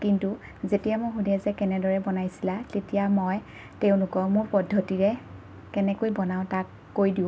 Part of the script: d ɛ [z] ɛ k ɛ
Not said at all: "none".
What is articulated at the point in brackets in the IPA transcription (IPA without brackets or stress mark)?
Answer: z